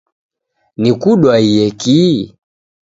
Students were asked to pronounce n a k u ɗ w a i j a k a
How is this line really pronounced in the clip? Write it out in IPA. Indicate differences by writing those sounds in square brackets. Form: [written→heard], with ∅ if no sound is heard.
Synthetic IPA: n [a→i] k u ɗ w a i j [a→ɛ] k [a→i]